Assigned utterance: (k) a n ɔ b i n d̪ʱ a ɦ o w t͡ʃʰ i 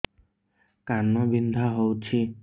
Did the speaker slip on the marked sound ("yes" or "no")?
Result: no